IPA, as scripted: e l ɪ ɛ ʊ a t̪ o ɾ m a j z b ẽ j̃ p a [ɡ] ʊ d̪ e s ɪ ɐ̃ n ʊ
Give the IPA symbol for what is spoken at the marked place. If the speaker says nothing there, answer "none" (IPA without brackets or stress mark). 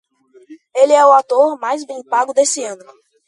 ɡ